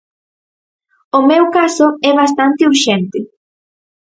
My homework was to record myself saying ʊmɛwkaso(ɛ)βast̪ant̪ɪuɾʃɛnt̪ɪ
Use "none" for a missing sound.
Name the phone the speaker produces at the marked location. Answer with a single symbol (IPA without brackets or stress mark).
ɛ